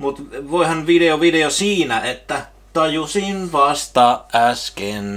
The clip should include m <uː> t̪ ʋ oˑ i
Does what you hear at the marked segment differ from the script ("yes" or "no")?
yes